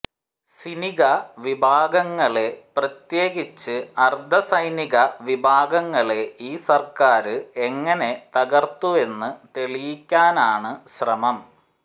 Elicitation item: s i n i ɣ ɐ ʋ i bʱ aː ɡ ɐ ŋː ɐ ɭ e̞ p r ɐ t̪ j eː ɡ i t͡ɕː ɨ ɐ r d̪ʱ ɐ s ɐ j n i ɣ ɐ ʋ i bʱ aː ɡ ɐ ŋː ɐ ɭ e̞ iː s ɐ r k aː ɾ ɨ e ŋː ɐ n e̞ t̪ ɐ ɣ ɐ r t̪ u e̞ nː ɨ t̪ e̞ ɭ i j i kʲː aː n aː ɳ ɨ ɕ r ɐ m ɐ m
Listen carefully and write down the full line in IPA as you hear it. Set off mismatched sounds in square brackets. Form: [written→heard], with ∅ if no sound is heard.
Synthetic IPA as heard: s i n i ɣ ɐ ʋ i bʱ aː ɡ ɐ ŋː ɐ ɭ e̞ p r ɐ t̪ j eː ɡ i t͡ɕː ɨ ɐ r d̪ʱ ɐ s ɐ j n i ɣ ɐ ʋ i bʱ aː ɡ ɐ ŋː ɐ ɭ e̞ iː s ɐ r k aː ɾ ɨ e ŋː ɐ n e̞ t̪ ɐ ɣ ɐ r t̪ u e̞ nː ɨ t̪ e̞ ɭ i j i kʲː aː n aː ɳ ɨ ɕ r ɐ m ɐ m